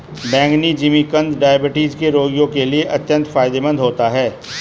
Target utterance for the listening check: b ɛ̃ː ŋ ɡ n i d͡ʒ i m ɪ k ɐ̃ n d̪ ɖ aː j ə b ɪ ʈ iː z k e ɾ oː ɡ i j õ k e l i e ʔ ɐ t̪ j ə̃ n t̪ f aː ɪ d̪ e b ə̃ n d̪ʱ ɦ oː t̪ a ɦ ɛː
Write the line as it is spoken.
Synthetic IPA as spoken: b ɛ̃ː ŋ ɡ n i d͡ʒ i m i k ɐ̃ n d̪ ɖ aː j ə b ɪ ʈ iː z k e ɾ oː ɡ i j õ k e l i e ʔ ɐ t̪ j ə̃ n t̪ f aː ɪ d̪ e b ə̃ n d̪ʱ ɦ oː t̪ a ɦ ɛː